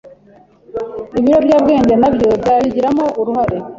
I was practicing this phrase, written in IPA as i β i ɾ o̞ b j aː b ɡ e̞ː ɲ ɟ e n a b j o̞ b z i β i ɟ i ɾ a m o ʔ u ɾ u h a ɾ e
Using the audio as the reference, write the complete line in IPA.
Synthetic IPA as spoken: i β i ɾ o̞ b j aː b ɡ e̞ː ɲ ɟ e n a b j o̞ b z a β i ɟ i ɾ a m o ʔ u ɾ u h a ɾ e